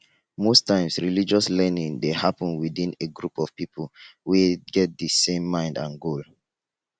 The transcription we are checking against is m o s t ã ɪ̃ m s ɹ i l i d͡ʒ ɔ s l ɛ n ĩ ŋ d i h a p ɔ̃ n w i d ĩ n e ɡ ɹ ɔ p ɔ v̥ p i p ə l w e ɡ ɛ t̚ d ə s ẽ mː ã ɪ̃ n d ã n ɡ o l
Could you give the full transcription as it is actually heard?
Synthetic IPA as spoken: m o s t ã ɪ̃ m s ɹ i l i d͡ʒ ɔ s l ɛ n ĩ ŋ d e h a p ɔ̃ n w i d ĩ n e ɡ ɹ u p ɔ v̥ p i p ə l w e ɡ ɛ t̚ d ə s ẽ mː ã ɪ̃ n d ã n ɡ o l